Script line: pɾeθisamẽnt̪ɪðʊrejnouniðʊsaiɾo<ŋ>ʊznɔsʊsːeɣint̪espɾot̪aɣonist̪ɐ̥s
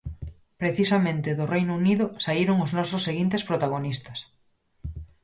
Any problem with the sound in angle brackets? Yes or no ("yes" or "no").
no